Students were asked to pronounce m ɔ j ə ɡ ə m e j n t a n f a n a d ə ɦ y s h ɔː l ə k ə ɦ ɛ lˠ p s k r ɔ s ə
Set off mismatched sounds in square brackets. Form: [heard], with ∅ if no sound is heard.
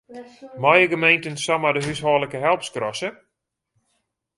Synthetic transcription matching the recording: m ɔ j ə ɡ ə m e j n t [ə] n [s] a [m] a d ə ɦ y s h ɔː l ə k ə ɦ ɛ lˠ p s k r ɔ s ə